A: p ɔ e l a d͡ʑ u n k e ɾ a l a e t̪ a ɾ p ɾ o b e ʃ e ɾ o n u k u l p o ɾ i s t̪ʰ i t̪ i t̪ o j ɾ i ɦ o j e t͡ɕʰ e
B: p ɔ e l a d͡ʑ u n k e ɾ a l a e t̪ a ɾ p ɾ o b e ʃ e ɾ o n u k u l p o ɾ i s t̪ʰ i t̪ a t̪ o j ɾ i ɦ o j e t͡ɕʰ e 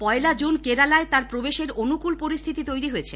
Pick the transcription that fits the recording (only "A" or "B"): A